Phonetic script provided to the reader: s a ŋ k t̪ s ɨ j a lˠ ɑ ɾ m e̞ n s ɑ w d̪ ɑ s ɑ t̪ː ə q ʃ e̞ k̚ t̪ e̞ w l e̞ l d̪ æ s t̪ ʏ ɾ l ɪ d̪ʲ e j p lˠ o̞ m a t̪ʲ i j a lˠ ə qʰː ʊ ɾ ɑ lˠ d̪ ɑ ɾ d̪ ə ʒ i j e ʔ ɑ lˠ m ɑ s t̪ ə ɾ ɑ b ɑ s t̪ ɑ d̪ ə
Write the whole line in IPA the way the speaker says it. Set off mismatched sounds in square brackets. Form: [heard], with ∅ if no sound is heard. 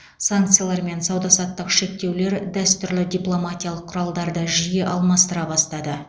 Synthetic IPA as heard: s a ŋ k t̪ s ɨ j a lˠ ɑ ɾ m e̞ n s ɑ w d̪ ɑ s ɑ t̪ː ə q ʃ e̞ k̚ t̪ e̞ w l e̞ [ɾ] d̪ æ s t̪ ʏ ɾ l ɪ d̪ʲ [i] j p lˠ o̞ m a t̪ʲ i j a lˠ ə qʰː ʊ ɾ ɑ lˠ d̪ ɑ ɾ d̪ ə ʒ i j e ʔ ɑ lˠ m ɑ s t̪ ə ɾ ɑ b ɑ s t̪ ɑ d̪ ə